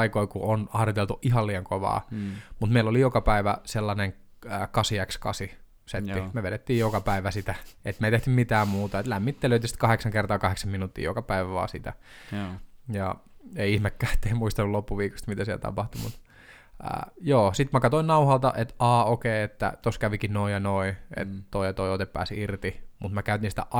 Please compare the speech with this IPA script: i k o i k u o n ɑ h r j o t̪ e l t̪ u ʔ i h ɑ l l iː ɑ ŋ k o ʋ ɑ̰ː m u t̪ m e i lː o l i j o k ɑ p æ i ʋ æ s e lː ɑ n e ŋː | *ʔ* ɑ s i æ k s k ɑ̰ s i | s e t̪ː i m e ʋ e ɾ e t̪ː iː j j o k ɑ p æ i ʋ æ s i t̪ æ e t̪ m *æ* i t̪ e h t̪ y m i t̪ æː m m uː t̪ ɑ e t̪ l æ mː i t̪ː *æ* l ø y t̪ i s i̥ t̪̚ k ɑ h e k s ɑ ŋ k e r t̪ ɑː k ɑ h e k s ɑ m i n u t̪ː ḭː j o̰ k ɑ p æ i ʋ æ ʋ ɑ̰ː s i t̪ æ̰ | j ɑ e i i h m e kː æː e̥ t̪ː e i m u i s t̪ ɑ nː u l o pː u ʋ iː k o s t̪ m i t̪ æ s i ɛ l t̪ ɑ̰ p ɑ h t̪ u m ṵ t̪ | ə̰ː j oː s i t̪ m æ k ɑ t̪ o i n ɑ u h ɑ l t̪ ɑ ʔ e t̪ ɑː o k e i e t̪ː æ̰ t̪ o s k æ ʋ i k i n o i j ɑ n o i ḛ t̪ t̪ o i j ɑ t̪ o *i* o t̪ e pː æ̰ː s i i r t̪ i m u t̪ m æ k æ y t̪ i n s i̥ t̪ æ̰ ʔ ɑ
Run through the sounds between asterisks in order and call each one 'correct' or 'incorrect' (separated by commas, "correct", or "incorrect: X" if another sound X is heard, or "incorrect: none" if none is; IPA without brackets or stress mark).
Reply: incorrect: k, incorrect: e, incorrect: e, correct